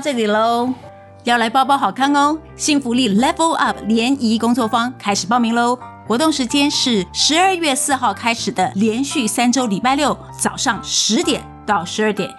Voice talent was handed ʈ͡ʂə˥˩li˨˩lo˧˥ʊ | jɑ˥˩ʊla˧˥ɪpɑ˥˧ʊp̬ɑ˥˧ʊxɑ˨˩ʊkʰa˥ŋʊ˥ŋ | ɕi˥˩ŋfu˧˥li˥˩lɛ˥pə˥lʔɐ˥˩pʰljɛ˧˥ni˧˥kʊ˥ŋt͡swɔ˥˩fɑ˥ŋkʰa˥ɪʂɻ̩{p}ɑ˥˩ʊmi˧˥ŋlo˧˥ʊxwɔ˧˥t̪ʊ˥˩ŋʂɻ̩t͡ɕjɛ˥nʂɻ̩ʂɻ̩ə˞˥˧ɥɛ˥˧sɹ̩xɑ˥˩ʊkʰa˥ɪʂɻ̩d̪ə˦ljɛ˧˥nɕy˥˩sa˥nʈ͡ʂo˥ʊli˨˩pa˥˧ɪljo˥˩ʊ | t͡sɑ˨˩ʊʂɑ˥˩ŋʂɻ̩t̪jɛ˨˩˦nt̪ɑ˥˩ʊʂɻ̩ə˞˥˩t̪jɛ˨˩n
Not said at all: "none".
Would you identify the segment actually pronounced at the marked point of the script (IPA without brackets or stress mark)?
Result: p